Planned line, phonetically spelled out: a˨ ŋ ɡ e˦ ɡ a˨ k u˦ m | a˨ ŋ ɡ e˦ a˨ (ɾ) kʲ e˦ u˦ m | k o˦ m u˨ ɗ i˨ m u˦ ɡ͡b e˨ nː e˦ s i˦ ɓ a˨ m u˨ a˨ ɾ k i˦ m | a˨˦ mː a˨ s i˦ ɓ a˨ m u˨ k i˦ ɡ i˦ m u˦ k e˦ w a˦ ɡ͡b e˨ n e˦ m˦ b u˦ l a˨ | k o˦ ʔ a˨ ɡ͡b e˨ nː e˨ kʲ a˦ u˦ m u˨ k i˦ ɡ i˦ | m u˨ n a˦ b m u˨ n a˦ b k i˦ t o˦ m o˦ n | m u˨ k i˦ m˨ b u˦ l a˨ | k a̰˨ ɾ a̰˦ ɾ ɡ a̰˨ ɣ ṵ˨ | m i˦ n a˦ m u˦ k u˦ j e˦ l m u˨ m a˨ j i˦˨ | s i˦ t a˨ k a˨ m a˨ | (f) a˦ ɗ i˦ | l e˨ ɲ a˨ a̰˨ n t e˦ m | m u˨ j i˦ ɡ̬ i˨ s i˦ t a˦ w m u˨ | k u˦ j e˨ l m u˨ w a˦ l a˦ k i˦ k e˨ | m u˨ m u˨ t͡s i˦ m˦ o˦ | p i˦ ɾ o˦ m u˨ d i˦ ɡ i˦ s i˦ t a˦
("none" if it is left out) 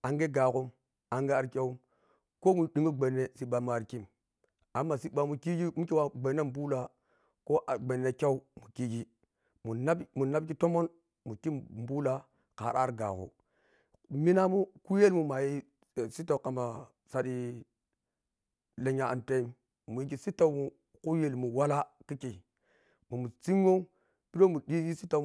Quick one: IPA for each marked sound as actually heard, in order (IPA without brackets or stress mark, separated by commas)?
ɾ, s